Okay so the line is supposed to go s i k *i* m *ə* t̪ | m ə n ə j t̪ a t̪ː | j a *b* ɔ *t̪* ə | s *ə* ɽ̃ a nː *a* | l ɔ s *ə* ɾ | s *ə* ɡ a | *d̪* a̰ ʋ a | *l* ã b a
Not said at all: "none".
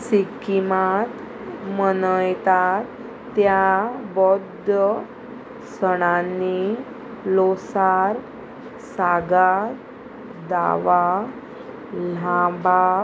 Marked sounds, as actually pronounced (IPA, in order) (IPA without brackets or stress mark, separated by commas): i, a, b, d̪, ə, i, a, a, d̪, l